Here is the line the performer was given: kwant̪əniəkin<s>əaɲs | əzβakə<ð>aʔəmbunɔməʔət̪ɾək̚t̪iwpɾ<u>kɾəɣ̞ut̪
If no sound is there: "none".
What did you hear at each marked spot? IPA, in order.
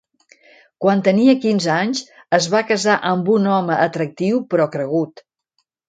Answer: z, z, ɔ

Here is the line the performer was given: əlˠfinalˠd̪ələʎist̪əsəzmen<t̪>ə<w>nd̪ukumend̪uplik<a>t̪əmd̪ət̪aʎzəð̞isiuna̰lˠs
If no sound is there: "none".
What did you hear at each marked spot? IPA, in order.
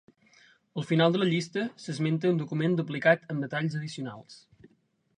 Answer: t̪, u, a

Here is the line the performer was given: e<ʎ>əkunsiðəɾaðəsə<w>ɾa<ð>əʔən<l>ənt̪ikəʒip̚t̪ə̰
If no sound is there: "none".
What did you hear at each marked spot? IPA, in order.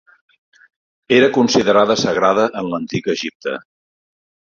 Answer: ɾ, ɣ, ð, l

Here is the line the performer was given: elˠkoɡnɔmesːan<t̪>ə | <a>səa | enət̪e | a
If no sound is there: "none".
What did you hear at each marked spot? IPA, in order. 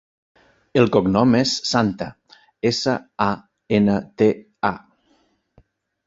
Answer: t̪, e

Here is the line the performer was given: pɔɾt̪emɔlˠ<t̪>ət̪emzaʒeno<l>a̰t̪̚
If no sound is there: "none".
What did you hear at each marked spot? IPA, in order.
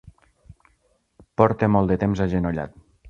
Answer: d̪, ʎ

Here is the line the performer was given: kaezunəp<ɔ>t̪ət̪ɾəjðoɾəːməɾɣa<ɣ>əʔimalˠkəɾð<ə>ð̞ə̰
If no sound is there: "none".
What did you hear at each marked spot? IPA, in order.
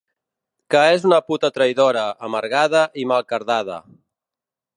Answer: u, ð, a

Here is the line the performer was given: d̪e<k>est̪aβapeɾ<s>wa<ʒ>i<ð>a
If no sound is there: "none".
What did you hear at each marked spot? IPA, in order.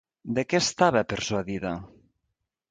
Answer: k, s, ð, ð

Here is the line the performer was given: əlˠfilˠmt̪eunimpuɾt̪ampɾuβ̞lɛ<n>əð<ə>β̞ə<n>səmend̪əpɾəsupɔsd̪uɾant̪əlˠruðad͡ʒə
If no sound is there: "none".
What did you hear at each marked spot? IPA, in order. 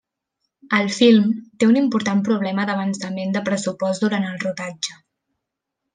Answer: m, ə, n

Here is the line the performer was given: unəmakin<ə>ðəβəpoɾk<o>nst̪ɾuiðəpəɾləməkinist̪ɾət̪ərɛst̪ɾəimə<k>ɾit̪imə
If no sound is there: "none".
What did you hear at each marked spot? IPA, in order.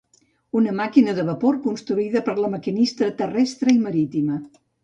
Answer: ə, u, none

